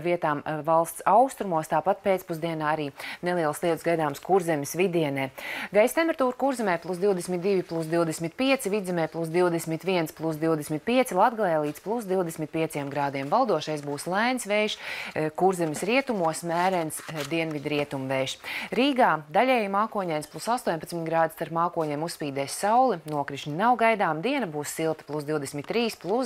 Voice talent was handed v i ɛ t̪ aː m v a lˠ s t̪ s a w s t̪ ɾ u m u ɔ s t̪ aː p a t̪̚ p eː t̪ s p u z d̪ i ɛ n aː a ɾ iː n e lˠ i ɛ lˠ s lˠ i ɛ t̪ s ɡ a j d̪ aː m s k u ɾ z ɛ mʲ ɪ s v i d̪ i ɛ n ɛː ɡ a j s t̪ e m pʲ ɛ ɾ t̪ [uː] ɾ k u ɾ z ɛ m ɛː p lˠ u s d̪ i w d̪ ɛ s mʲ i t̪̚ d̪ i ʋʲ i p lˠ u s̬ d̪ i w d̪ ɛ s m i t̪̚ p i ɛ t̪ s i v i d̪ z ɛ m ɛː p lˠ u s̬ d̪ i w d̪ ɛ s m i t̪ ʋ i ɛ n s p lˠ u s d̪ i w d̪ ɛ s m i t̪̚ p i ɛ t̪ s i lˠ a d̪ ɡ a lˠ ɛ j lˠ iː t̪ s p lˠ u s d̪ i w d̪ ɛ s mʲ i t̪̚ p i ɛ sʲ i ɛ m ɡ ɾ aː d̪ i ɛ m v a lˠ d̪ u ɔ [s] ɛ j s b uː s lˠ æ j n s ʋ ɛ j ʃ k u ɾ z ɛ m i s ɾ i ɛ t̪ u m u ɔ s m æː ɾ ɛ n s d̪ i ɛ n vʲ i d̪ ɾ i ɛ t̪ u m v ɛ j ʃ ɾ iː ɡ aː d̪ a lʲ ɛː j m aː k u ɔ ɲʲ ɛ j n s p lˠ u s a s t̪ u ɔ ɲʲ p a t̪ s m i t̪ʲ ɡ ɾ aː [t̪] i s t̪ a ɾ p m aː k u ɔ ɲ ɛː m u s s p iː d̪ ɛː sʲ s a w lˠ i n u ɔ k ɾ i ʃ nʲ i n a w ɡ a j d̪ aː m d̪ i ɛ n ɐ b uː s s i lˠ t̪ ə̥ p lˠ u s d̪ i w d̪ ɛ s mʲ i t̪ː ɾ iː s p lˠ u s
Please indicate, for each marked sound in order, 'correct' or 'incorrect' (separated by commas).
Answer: correct, incorrect, incorrect